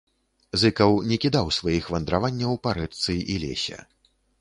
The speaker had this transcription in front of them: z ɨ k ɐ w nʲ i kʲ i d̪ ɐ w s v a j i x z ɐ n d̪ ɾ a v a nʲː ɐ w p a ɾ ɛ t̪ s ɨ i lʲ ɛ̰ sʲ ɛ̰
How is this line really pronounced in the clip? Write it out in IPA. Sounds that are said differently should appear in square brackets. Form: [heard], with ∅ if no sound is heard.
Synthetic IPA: z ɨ k ɐ w nʲ [ɛ] kʲ i d̪ [a] w s v a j i x [v] ɐ n d̪ ɾ a v a nʲː ɐ w p a ɾ ɛ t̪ s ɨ i lʲ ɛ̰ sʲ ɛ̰